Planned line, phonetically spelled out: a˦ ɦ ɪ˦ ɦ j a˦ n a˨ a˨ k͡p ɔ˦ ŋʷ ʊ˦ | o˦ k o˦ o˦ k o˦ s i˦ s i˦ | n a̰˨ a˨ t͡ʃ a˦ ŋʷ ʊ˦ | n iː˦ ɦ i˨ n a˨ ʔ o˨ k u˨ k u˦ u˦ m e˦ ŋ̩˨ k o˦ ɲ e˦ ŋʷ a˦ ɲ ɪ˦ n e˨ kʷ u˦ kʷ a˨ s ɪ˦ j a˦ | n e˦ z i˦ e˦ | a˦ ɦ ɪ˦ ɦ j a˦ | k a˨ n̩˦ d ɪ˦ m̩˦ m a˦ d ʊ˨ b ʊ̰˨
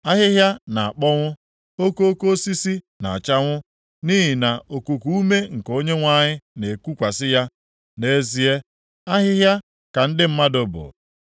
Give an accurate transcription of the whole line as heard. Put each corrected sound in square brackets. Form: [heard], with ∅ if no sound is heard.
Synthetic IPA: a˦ ɦ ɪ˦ ɦ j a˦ n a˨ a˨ k͡p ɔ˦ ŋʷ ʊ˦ | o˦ k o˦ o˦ k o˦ s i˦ s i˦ | n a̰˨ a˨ t͡ʃ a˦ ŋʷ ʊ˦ | n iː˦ ɦ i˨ n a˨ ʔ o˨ k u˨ k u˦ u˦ m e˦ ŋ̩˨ k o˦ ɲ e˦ ŋʷ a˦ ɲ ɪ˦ n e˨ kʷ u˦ kʷ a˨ s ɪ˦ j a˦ | n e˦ z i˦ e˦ | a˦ ɦ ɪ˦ ɦ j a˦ | k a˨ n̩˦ d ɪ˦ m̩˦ m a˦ d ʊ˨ b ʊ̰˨